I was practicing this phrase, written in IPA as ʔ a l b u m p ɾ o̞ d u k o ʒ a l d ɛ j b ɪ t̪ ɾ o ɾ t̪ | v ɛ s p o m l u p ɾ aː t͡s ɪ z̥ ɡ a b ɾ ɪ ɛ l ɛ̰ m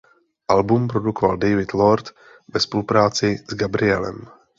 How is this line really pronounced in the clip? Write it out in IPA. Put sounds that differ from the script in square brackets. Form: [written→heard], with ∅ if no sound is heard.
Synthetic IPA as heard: ʔ a l b u m p ɾ o̞ d u k o [ʒ→v] a l d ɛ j [b→v] ɪ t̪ [ɾ→l] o ɾ t̪ | v ɛ s p o [m→∅] l u p ɾ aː t͡s ɪ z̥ ɡ a b ɾ ɪ ɛ l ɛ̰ m